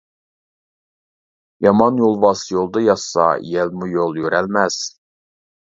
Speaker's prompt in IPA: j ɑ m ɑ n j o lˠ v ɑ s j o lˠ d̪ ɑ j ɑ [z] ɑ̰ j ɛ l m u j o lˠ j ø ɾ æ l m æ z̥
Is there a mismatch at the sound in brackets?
yes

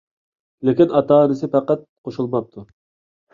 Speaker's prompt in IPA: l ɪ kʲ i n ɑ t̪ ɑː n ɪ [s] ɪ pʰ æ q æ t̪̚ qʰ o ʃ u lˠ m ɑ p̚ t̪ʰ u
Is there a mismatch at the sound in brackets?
no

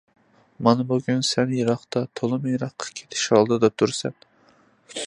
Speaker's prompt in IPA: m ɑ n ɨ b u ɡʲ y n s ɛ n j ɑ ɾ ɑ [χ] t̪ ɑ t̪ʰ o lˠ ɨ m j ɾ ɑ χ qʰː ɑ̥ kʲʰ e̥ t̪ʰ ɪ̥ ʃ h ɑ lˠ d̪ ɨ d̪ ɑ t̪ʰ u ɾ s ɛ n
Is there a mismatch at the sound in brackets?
no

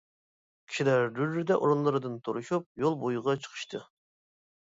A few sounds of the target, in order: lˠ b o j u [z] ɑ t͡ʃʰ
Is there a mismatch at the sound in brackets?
yes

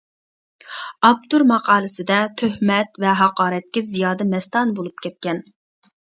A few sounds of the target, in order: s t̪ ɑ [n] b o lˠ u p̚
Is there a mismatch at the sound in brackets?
no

